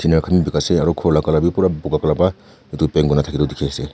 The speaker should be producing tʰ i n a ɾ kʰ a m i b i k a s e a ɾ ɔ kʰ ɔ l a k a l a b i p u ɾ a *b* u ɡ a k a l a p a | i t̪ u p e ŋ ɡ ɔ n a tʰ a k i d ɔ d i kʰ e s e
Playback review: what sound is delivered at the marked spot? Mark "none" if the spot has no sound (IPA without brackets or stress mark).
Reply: b